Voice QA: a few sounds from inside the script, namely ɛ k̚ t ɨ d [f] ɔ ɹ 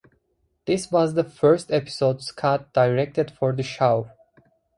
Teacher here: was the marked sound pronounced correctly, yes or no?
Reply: yes